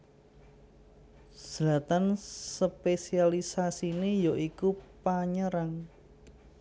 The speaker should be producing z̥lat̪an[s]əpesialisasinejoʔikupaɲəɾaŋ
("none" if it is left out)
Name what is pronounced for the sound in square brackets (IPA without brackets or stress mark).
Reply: s